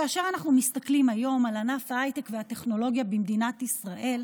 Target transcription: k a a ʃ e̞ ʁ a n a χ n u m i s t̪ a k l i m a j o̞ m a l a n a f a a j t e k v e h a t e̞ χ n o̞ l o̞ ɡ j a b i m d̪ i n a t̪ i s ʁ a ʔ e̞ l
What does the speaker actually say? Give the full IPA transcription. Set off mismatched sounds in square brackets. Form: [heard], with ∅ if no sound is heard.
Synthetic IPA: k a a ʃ e̞ ʁ a n a χ n u m i s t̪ a k l i m a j o̞ m a l a n a f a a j t e k v e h a t e̞ χ n o̞ l o̞ ɡ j a b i m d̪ i n a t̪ i s ʁ a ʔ e̞ l